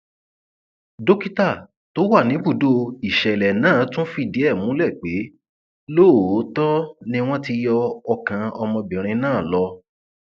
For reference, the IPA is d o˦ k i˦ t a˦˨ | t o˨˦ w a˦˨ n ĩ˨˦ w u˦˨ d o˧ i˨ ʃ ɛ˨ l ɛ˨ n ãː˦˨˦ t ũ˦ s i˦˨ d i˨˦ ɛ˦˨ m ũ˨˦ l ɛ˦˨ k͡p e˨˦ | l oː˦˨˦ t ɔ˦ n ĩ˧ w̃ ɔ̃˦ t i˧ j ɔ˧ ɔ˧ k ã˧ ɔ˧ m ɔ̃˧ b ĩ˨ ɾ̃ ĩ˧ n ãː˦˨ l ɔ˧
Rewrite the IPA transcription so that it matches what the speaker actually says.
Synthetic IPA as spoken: d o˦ k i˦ t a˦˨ | t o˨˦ w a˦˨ n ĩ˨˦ b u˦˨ d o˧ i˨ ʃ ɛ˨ l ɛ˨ n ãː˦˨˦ t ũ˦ f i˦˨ d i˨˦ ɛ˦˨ m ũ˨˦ l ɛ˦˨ k͡p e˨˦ | l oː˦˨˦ t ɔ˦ n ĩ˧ w̃ ɔ̃˦ t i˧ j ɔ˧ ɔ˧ k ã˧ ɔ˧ m ɔ̃˧ b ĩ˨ ɾ̃ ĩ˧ n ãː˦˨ l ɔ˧